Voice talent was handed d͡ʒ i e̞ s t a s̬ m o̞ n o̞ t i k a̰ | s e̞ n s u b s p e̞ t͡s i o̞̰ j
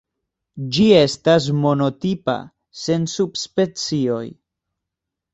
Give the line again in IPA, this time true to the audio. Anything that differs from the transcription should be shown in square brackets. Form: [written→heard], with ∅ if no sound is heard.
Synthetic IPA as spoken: d͡ʒ i e̞ s t a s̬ m o̞ n o̞ t i [k→p] a̰ | s e̞ n s u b s p e̞ t͡s i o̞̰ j